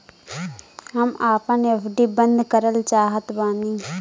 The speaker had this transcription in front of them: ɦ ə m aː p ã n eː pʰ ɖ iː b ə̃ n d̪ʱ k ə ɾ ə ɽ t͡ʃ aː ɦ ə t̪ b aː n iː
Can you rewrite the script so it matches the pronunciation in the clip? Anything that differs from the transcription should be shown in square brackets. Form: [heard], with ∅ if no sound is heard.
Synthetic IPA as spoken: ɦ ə m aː p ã n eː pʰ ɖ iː b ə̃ n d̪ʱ k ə ɾ ə [l] t͡ʃ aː ɦ ə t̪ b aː n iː